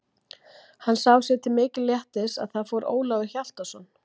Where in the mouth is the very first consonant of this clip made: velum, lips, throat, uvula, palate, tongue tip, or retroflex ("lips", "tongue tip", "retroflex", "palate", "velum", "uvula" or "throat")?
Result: throat